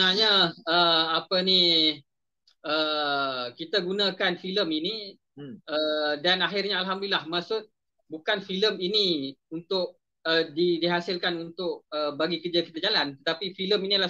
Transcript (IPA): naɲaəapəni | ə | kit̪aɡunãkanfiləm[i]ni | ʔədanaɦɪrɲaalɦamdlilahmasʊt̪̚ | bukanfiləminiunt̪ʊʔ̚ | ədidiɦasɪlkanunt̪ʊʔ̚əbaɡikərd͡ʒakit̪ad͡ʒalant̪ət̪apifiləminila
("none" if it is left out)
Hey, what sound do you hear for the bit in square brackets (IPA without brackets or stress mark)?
i